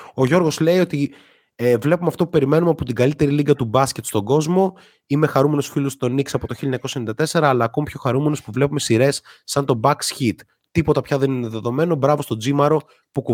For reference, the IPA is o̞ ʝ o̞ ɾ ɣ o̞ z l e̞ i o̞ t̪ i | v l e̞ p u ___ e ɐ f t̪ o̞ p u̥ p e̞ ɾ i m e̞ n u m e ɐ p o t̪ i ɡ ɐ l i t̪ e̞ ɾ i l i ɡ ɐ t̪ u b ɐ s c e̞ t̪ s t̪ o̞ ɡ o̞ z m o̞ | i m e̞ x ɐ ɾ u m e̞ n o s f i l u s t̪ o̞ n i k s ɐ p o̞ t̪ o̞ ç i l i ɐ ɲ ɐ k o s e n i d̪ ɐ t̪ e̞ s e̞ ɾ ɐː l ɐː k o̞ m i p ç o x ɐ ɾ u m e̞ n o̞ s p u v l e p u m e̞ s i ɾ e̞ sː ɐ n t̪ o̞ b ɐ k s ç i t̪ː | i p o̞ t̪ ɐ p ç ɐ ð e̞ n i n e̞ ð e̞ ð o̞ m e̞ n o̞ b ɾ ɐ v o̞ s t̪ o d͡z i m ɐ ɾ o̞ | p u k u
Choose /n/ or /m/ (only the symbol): m